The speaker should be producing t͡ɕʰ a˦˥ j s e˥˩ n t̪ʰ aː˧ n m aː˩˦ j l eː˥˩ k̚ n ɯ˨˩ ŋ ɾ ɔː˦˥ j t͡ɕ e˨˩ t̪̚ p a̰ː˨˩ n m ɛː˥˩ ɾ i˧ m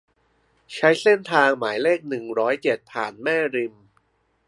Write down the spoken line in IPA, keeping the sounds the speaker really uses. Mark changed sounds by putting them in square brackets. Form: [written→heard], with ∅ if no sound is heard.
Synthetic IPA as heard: t͡ɕʰ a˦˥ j s e˥˩ n t̪ʰ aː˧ [n→ŋ] m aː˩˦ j l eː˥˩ k̚ n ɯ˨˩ ŋ ɾ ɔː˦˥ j t͡ɕ e˨˩ t̪̚ [p→pʰ] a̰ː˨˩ n m ɛː˥˩ ɾ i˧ m